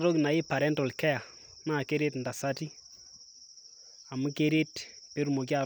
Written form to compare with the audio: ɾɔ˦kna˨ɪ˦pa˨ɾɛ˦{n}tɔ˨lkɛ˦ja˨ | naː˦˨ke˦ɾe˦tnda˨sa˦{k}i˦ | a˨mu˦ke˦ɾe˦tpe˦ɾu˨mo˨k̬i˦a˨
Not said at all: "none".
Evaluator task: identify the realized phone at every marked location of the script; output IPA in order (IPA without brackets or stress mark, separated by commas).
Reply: n, t